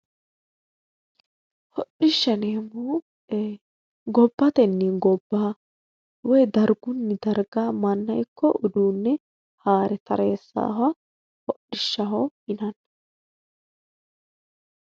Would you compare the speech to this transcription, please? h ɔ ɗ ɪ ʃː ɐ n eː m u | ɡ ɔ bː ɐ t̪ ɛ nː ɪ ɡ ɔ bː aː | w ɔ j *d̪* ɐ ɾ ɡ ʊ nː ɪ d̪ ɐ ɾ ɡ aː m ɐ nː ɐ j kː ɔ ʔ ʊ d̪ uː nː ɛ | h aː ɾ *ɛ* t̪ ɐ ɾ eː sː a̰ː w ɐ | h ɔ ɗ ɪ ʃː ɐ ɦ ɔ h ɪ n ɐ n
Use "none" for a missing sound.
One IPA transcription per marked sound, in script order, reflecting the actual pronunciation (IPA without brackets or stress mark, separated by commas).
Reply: d̪, ɛ